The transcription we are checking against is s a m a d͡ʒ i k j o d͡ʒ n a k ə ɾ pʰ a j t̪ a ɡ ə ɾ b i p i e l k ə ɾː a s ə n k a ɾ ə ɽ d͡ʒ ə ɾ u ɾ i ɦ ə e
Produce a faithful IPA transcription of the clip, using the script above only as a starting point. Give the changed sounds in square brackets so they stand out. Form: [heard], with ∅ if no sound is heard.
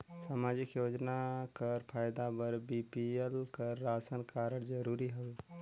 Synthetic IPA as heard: s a m a d͡ʒ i k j o d͡ʒ n a k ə ɾ pʰ a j [d̪] a [b] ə ɾ b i p i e l k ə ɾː a s ə n k a ɾ ə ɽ d͡ʒ ə ɾ u ɾ i ɦ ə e